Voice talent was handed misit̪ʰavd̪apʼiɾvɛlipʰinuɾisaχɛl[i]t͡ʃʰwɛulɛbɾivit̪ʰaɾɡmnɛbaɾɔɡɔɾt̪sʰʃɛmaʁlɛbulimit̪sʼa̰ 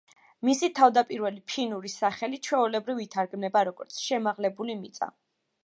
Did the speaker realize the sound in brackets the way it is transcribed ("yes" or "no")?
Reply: yes